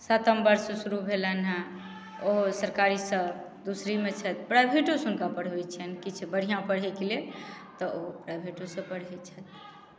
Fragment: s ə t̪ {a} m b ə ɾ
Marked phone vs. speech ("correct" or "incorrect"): incorrect